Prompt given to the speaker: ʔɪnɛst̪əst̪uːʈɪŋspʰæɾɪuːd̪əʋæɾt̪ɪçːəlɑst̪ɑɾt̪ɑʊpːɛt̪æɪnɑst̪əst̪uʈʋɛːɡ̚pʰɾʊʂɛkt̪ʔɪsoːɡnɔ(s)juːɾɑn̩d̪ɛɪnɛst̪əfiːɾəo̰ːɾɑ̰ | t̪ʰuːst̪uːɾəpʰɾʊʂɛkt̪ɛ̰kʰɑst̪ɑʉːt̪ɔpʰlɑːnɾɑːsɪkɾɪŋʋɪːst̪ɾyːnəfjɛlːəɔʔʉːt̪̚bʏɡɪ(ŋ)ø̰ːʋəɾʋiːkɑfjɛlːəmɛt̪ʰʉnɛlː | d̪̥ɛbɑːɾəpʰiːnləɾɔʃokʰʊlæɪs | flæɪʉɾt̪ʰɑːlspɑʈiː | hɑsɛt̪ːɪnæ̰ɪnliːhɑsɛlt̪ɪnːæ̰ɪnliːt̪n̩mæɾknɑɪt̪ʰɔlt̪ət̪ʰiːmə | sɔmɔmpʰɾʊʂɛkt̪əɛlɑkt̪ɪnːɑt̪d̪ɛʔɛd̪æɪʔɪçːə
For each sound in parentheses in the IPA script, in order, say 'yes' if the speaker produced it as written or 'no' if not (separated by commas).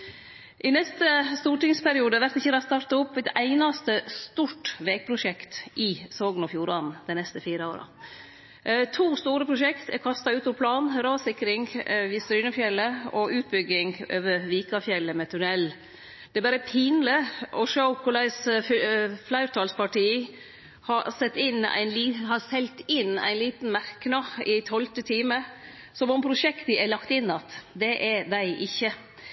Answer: no, yes